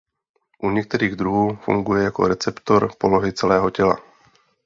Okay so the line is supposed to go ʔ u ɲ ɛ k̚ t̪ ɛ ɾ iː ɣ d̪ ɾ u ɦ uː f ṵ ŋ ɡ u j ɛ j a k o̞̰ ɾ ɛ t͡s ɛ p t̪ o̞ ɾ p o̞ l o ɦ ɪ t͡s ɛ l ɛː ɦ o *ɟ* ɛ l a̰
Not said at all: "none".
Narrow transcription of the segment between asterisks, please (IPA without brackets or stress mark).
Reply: c